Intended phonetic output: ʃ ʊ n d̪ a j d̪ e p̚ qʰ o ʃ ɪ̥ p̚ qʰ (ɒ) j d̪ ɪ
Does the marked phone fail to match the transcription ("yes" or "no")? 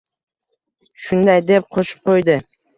yes